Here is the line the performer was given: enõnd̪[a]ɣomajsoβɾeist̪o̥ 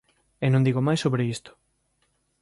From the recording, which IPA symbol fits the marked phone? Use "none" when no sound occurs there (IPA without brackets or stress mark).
i